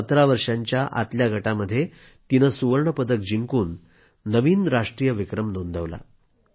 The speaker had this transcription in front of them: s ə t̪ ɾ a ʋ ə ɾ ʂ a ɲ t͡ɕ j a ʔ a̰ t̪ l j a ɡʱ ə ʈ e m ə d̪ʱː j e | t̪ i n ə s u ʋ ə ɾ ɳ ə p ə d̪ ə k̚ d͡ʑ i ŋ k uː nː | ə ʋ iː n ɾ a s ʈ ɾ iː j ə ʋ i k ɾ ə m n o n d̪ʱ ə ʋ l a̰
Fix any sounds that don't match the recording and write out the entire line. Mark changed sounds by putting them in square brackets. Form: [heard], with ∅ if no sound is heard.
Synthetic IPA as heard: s ə t̪ ɾ a ʋ ə ɾ ʂ a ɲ t͡ɕ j a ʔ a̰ t̪ l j a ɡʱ ə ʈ [a] m ə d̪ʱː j e | t̪ i n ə s u ʋ ə ɾ ɳ ə p ə d̪ ə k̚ d͡ʑ i ŋ k uː nː | ə ʋ iː n ɾ a [ʂ] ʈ ɾ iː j ə ʋ i k ɾ ə m n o n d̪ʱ ə ʋ l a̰